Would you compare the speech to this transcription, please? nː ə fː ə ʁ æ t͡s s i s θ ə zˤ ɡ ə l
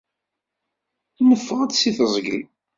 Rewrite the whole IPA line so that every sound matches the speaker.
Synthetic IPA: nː ə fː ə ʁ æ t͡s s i θ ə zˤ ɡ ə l

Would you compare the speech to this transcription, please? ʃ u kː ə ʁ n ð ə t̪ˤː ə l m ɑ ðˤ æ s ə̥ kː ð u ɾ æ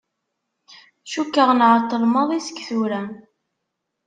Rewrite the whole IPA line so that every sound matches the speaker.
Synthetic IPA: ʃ u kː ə ʁ n ʕ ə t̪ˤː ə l m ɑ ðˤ i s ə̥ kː θ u ɾ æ

